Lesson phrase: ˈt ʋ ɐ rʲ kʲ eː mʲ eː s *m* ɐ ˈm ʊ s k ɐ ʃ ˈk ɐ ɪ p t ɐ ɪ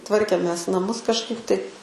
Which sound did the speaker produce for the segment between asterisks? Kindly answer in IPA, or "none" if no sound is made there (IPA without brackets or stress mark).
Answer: n